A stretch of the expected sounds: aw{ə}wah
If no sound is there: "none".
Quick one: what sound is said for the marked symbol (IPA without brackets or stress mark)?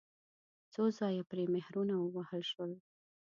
ə